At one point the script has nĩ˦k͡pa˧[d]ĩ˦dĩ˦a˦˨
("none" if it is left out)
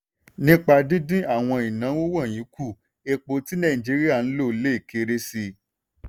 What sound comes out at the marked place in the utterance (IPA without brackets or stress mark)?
d